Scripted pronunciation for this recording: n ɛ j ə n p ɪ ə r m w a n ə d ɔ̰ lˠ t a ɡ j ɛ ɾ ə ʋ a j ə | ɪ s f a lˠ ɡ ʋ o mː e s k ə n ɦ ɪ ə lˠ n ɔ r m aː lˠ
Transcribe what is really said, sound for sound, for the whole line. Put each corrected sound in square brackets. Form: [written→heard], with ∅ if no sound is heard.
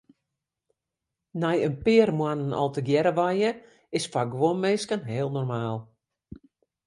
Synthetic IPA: n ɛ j ə n p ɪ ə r m w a n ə [d→n] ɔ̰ lˠ t [a→ə] ɡ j ɛ ɾ ə ʋ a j ə | ɪ s f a [lˠ→∅] ɡ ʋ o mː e s k ə n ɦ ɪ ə lˠ n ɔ r m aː lˠ